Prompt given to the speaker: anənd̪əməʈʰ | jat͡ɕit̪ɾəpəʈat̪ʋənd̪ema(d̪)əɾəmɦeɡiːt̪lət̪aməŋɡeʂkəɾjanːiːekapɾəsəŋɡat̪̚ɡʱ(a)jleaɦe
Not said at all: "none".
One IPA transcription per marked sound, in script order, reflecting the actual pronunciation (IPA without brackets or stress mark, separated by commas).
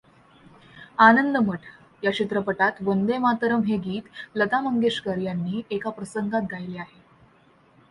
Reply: t̪, a